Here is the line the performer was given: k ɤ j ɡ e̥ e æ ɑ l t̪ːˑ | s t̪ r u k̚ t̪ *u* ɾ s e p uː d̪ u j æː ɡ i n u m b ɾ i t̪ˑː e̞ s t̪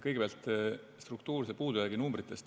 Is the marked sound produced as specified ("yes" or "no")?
no